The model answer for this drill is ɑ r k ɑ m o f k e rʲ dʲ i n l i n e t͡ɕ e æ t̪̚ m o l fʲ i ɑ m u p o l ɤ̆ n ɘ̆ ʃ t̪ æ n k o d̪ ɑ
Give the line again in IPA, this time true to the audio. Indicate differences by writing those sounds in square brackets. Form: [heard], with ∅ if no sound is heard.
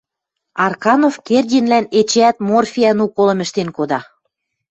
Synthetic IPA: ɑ r k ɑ [n] o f k e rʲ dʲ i n l [æ] n e t͡ɕ e æ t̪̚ m o [r] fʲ i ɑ [n] u [k] o l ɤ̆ [m] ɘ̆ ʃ t̪ [e] n k o d̪ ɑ